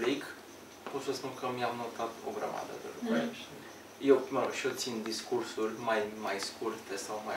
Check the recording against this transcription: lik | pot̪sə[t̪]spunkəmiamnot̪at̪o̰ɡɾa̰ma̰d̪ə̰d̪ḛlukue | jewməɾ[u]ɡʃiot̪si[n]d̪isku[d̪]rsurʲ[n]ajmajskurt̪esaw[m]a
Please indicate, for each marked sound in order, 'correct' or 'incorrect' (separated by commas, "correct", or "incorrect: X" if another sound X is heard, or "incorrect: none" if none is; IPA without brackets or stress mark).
incorrect: none, incorrect: o, correct, incorrect: none, incorrect: m, correct